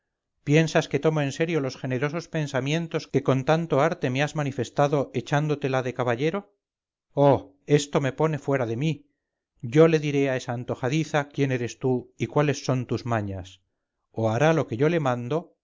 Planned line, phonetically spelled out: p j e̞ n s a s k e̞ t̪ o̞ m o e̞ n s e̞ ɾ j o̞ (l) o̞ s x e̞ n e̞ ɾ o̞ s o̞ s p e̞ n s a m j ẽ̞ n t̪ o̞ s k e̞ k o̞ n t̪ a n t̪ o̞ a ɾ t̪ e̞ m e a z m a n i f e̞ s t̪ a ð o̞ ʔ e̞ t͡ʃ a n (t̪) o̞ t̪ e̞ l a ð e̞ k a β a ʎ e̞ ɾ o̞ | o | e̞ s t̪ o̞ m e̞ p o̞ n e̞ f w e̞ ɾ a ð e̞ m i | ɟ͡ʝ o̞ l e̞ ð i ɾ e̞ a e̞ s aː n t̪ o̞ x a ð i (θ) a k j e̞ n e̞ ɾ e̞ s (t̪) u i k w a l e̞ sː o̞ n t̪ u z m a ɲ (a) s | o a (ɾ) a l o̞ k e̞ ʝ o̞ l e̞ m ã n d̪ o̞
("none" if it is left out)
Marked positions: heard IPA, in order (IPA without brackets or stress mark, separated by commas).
l, d̪, θ, t̪, a, ɾ